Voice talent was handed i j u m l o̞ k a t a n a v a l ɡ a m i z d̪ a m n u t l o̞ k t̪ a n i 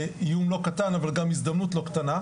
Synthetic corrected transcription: i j u m l o̞ k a t a n a v a l ɡ a m i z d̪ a m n u t l o̞ k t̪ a n a